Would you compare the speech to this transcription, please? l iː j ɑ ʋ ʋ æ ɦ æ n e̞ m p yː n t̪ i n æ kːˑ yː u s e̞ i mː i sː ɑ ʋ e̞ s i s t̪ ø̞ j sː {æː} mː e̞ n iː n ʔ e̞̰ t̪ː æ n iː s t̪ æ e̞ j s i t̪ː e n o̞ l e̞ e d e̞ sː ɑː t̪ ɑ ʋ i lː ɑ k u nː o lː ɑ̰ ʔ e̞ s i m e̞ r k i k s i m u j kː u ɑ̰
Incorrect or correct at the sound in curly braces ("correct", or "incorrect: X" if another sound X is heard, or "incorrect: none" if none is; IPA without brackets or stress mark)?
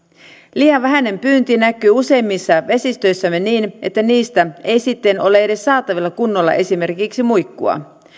incorrect: æ